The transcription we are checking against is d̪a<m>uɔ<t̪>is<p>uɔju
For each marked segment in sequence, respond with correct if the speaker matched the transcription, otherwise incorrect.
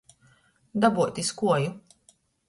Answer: incorrect, correct, incorrect

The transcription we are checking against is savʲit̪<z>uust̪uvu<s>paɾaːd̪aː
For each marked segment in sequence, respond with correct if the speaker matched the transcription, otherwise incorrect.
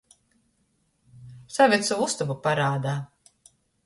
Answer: incorrect, incorrect

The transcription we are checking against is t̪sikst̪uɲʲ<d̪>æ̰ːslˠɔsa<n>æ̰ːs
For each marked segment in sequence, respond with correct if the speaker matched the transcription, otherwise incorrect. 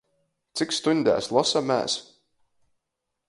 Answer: correct, incorrect

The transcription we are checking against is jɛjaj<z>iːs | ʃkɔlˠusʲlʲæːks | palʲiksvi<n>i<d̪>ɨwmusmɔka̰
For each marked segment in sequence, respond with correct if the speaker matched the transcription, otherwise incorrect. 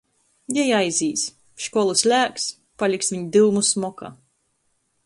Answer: correct, incorrect, correct

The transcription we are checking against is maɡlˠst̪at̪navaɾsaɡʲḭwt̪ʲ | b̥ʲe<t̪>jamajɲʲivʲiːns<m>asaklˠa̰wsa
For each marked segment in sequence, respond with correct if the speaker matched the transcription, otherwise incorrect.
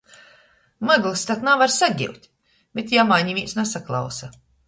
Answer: correct, incorrect

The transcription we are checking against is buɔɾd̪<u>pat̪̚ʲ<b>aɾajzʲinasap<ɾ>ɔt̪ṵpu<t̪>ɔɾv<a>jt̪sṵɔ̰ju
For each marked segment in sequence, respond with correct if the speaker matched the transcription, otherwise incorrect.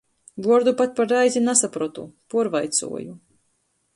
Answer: correct, incorrect, correct, incorrect, correct

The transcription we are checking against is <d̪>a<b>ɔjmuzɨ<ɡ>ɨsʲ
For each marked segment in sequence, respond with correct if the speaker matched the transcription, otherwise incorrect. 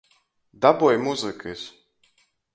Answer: correct, correct, incorrect

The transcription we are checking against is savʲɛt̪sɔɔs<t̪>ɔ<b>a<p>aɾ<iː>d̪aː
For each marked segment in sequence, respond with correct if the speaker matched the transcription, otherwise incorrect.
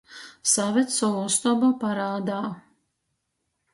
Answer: correct, correct, correct, incorrect

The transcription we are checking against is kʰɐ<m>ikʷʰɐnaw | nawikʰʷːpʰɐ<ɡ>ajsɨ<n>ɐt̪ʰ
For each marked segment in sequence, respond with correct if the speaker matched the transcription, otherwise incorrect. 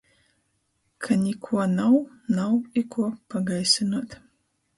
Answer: incorrect, correct, correct

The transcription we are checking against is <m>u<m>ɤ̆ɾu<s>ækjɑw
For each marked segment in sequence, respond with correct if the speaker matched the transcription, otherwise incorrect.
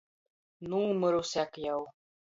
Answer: incorrect, correct, correct

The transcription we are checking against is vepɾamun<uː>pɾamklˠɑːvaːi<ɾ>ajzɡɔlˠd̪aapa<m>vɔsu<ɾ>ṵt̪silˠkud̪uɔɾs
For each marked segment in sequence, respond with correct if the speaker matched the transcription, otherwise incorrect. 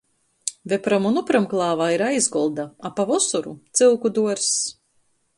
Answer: incorrect, correct, incorrect, correct

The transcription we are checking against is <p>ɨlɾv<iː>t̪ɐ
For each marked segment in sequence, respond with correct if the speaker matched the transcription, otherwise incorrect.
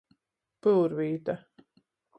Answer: correct, correct

